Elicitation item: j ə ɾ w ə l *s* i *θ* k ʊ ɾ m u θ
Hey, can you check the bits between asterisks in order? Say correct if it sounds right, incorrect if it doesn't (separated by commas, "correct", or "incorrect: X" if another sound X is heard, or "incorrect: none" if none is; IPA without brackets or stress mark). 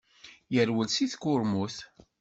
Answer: correct, correct